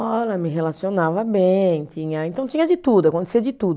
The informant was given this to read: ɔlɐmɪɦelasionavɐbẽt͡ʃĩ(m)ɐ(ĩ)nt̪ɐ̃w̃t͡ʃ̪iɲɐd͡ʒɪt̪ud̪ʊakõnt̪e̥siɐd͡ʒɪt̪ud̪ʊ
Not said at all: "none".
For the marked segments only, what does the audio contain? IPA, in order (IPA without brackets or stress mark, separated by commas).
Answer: ɲ, ẽ